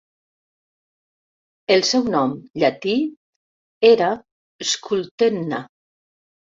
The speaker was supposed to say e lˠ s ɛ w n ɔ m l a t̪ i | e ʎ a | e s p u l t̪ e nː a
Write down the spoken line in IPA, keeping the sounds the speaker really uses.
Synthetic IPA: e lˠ s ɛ w n ɔ m ʎ a t̪ i | e ɾ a | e s k u l t̪ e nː a